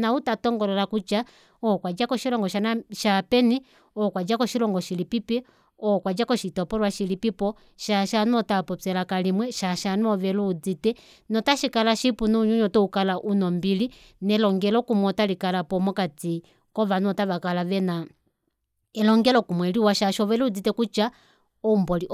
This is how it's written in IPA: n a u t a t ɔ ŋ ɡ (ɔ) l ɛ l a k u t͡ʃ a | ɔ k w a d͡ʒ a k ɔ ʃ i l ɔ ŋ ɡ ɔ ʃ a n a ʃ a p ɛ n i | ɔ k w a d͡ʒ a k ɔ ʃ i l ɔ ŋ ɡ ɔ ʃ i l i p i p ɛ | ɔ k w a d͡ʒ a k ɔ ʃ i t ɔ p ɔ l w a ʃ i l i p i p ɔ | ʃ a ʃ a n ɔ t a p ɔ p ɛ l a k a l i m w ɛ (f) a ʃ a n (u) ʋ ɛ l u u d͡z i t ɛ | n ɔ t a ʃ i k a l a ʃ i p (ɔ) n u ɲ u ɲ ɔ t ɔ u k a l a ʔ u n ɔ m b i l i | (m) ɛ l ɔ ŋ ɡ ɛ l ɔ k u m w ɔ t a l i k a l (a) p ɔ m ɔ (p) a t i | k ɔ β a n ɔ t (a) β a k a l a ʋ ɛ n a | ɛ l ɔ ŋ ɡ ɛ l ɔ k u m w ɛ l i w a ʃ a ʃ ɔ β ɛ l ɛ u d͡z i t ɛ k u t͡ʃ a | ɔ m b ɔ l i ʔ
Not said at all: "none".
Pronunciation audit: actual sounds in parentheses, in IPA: ɔ, ʃ, ɔ, u, n, a, k, a

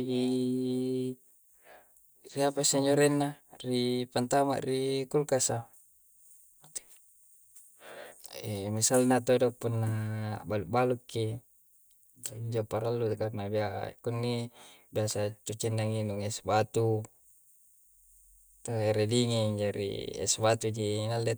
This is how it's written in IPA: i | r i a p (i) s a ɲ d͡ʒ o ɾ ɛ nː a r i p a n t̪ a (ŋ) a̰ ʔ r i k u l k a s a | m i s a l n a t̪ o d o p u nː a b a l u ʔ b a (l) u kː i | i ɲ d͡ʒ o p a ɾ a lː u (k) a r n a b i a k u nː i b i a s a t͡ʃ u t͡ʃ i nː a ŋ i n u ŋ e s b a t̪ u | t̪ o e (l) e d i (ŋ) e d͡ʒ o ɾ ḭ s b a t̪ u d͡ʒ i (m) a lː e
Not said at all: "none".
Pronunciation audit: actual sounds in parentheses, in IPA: a, m, l, k, ɾ, ŋ, n

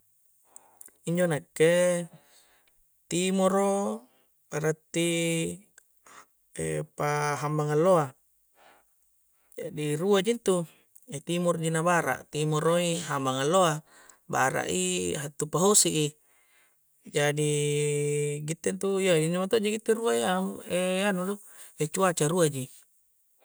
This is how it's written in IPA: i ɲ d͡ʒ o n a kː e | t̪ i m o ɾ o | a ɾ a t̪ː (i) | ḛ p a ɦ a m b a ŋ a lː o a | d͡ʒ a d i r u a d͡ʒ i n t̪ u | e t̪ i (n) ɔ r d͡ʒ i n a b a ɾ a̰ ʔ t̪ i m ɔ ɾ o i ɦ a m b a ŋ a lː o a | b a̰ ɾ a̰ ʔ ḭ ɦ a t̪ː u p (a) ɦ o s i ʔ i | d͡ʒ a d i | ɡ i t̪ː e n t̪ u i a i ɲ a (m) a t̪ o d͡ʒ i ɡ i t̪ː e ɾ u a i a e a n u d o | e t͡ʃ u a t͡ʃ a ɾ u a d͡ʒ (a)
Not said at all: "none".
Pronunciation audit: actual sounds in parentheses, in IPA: i, m, a, m, i

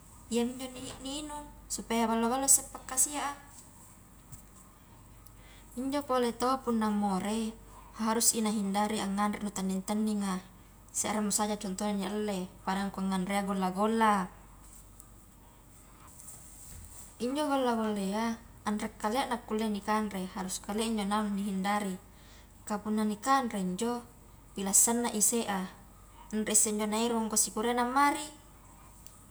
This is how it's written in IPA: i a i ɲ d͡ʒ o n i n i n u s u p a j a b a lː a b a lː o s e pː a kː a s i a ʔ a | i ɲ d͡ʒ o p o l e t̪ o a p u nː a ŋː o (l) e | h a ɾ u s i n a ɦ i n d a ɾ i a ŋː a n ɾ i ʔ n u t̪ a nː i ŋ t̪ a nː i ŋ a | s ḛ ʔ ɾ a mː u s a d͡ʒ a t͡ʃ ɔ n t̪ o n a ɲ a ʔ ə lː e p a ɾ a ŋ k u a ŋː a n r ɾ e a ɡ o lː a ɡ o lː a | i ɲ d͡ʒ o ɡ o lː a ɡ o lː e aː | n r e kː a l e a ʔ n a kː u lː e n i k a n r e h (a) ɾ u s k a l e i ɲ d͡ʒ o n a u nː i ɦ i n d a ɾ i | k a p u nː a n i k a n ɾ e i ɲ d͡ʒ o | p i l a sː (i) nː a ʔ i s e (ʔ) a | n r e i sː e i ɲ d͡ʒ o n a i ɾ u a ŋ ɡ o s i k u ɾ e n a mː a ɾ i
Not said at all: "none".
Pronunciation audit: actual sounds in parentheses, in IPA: ɾ, a, a, ʔ

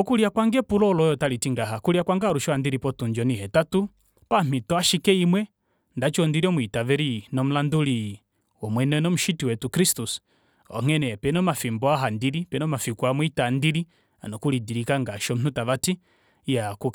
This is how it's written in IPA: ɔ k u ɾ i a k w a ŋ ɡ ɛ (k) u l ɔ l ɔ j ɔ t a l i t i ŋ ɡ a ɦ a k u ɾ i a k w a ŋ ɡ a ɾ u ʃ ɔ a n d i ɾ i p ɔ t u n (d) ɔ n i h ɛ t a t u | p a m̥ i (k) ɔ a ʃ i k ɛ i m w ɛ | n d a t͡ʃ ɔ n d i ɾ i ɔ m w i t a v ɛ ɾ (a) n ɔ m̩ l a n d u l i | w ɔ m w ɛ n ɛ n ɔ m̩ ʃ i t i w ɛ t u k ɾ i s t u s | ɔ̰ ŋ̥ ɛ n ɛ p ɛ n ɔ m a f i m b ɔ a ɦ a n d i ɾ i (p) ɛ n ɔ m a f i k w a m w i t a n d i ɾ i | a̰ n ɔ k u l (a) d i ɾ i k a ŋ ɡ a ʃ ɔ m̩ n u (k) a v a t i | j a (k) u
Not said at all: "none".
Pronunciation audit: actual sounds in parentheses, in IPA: p, d͡ʒ, t, i, p, i, t, k

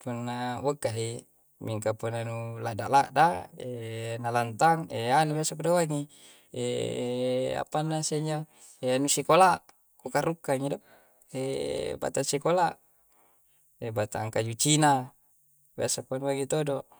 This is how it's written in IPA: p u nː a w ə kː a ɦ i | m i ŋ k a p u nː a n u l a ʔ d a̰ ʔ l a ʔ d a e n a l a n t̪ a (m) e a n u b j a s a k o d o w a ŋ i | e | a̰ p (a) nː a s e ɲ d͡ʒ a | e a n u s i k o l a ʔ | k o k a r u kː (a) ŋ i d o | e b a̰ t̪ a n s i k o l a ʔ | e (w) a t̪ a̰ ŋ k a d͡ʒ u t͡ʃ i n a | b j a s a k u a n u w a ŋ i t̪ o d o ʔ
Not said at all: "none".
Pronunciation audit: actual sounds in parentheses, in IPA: ŋ, a, a, b

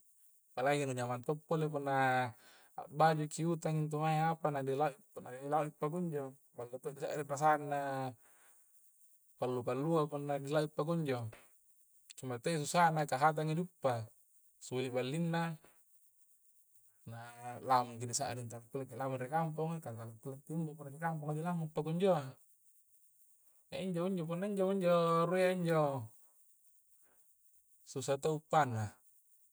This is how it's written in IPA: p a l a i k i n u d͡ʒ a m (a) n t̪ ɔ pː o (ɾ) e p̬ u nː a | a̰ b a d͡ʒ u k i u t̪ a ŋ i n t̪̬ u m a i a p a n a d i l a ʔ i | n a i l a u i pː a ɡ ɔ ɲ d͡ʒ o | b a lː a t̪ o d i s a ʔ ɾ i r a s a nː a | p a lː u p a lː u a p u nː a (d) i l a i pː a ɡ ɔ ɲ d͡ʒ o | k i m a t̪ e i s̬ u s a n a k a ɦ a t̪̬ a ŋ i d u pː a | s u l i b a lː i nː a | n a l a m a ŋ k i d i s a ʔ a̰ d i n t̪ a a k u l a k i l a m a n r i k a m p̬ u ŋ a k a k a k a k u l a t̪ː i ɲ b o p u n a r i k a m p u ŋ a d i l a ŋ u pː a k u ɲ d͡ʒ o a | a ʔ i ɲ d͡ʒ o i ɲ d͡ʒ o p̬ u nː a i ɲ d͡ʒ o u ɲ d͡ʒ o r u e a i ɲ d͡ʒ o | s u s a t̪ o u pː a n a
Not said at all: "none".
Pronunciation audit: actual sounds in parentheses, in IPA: a, l, d

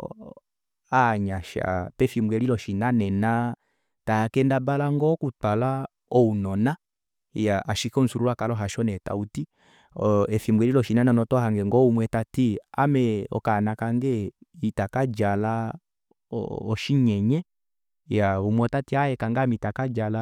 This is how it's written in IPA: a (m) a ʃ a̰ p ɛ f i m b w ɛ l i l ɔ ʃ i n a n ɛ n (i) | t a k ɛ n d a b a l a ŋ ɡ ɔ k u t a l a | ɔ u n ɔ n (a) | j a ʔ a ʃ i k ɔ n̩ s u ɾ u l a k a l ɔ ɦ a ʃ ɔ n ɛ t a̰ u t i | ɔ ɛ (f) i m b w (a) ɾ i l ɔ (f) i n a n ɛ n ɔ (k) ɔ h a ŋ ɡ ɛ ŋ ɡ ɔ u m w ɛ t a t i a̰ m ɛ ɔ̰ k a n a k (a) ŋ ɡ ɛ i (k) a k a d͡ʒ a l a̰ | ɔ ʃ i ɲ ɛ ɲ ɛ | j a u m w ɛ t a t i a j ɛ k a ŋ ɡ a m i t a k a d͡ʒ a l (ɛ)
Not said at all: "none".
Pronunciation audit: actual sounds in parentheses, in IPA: ɲ, a, a, f, ɛ, ʃ, t, a, t, a

